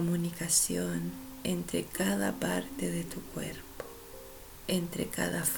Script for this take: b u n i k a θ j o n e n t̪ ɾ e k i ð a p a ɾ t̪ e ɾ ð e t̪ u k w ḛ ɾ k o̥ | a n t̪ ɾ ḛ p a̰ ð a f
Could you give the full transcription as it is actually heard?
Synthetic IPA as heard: m u n i k a s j o n e n t̪ ɾ e k a ð a p a ɾ t̪ e ð e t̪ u k w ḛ ɾ p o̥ | e n t̪ ɾ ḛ k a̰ ð a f